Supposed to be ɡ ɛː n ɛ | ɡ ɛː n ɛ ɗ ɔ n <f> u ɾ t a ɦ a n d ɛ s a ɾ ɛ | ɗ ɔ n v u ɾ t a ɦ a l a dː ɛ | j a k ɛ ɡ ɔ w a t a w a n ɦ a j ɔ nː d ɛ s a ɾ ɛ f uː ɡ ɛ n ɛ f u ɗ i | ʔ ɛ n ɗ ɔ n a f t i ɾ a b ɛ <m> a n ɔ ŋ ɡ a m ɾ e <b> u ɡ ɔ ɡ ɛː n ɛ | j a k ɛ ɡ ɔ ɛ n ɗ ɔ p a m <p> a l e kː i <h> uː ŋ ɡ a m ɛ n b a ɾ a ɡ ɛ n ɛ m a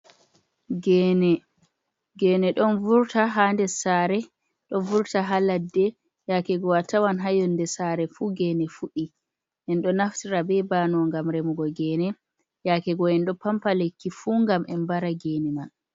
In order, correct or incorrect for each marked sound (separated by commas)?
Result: incorrect, incorrect, incorrect, correct, incorrect